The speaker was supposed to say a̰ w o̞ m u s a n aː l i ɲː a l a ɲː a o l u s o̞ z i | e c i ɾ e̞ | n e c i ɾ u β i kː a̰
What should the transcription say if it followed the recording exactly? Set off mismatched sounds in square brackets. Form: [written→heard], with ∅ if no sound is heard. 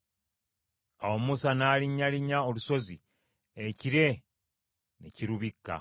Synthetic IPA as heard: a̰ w o̞ m u s a n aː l i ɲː a l [a→i] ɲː a o l u s o̞ z i | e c i ɾ e̞ | n e c i ɾ u β i kː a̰